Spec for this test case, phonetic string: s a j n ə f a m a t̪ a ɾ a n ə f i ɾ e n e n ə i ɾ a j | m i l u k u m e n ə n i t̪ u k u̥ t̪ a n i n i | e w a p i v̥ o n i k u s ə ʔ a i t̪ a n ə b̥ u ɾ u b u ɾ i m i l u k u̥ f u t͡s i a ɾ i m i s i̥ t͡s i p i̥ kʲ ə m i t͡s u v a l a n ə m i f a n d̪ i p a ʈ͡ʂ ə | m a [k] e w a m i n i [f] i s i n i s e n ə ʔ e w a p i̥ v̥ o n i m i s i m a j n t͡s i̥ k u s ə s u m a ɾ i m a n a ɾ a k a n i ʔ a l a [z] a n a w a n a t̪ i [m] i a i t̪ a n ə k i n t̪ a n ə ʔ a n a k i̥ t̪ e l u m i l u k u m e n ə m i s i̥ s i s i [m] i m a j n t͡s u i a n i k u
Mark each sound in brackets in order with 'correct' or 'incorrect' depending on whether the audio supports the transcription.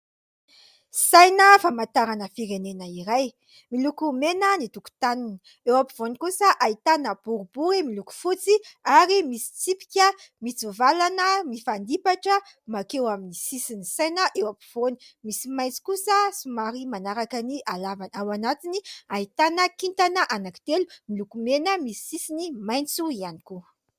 correct, incorrect: s, incorrect: v, incorrect: n, incorrect: n

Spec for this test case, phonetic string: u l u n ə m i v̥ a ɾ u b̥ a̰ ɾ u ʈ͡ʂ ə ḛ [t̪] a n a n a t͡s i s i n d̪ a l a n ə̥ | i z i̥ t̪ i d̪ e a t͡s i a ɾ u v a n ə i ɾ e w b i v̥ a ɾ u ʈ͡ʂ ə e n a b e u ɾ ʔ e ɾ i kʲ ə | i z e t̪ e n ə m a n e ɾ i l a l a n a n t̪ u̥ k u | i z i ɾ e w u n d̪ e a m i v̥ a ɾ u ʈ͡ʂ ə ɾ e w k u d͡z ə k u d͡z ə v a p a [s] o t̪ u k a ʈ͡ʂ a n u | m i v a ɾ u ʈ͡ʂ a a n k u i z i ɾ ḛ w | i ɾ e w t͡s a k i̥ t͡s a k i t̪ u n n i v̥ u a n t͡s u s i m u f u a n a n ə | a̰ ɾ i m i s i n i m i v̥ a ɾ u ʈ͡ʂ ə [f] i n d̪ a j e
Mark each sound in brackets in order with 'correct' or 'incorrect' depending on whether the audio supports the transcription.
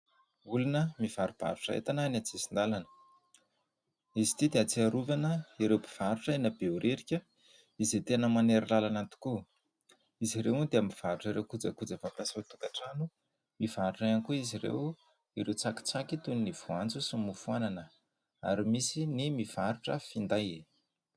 correct, correct, correct

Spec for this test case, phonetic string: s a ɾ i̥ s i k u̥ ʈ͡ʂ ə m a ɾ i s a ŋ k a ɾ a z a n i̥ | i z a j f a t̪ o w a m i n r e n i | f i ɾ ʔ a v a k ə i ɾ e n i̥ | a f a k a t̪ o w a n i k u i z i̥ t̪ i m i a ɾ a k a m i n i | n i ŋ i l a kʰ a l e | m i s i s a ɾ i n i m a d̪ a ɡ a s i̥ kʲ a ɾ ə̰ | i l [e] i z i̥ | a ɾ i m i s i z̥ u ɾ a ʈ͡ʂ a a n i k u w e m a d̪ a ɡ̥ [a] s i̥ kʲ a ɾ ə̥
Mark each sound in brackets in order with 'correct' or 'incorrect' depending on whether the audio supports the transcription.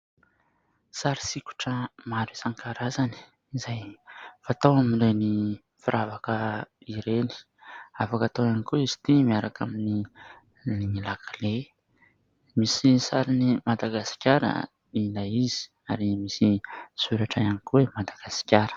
incorrect: a, correct

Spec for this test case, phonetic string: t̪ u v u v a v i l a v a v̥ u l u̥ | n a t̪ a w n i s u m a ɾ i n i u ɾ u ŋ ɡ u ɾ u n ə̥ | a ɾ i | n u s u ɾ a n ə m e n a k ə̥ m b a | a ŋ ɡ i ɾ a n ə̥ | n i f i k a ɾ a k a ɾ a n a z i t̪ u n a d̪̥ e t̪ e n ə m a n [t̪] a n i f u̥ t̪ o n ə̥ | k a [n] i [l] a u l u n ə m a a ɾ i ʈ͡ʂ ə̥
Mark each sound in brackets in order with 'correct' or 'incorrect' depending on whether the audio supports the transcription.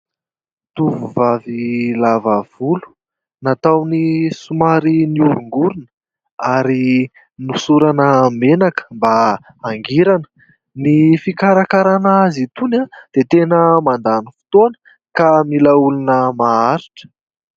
incorrect: d̪, incorrect: m, correct

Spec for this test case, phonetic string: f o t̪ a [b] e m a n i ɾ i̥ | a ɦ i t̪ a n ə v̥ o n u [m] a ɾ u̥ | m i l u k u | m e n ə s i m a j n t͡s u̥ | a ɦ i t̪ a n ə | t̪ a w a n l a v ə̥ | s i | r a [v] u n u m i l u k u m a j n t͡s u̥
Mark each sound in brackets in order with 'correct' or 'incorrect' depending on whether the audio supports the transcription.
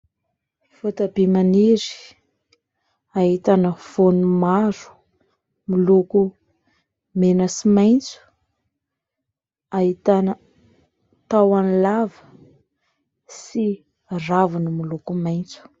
correct, correct, correct

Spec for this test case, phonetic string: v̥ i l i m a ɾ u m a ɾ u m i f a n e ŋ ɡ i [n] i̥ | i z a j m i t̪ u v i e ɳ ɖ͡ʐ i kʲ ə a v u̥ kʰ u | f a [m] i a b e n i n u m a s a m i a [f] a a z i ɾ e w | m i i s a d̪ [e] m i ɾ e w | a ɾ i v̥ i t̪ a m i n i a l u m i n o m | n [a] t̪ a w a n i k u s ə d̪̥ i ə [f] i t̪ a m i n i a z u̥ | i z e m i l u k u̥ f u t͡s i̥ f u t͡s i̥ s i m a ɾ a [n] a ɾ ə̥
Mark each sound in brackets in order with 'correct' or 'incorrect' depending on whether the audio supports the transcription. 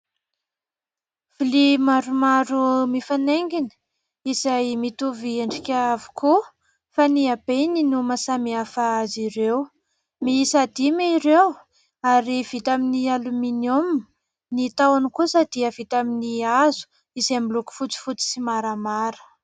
correct, incorrect: n, correct, incorrect: i, incorrect: i, incorrect: v, incorrect: m

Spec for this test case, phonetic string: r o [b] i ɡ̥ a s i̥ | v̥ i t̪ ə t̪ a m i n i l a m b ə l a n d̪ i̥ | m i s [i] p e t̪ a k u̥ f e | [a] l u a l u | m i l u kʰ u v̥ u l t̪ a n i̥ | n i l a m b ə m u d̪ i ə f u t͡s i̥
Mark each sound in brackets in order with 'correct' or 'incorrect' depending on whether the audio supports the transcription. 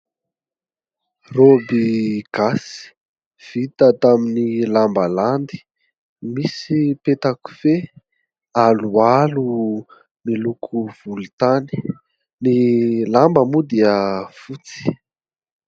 correct, correct, correct

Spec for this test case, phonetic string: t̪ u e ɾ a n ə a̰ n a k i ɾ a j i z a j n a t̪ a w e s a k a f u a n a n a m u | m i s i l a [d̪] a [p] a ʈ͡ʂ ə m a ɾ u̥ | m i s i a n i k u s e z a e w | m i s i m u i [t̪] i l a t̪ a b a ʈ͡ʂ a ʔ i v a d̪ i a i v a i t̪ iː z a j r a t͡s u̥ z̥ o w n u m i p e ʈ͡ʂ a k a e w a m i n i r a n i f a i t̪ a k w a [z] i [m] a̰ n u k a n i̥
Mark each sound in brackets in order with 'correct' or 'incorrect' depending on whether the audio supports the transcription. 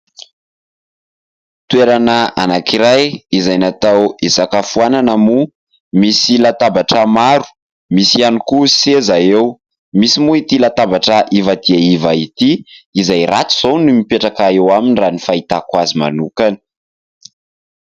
incorrect: t̪, incorrect: b, correct, correct, correct

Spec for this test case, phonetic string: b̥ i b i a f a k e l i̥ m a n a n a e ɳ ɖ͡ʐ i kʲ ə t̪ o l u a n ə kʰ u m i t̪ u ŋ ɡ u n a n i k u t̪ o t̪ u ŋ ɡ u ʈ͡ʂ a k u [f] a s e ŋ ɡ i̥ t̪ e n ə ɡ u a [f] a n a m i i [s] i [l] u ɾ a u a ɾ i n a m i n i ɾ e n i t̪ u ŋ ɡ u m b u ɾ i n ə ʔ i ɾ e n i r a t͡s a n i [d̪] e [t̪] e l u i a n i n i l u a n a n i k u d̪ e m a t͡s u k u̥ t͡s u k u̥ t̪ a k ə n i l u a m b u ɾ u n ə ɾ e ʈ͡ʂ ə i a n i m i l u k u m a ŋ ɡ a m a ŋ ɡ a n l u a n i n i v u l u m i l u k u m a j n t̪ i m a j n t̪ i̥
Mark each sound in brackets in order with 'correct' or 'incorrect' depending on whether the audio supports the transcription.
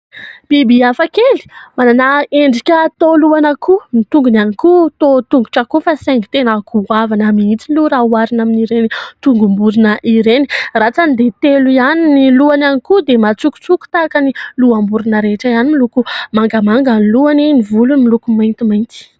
correct, incorrect: v, incorrect: t͡s, correct, correct, correct

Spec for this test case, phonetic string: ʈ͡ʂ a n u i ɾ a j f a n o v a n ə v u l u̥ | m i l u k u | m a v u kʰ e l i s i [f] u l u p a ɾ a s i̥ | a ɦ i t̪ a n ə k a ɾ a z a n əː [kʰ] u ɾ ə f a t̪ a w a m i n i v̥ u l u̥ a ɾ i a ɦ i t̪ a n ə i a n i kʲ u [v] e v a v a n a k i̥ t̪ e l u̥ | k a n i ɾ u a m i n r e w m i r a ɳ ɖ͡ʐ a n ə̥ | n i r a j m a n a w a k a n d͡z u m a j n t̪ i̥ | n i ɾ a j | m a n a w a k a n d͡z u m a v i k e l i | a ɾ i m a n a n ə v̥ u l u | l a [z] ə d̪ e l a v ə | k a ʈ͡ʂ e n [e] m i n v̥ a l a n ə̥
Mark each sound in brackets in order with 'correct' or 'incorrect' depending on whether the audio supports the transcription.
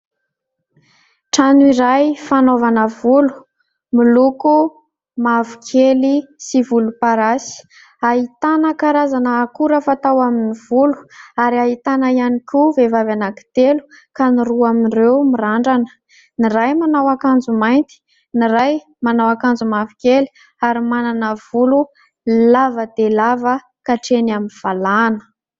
incorrect: v, incorrect: k, correct, incorrect: v, incorrect: a

